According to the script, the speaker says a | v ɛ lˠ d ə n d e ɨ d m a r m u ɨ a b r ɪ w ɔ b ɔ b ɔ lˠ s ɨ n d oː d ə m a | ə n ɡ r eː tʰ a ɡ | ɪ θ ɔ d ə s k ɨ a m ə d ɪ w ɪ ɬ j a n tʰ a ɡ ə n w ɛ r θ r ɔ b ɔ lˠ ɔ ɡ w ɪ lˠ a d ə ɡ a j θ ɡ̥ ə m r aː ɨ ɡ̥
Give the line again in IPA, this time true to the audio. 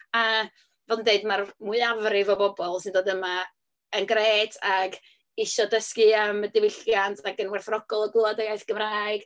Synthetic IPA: a | v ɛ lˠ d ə n d e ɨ d m a r m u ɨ a v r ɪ v ɔ b ɔ b ɔ lˠ s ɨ n d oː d ə m a | ə n ɡ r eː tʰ a ɡ | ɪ ʃ ɔ d ə s k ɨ a m ə d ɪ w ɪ ɬ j a n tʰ a ɡ ə n w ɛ r θ r ɔ ɡ ɔ lˠ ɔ ɡ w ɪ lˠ a d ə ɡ a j θ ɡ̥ ə m r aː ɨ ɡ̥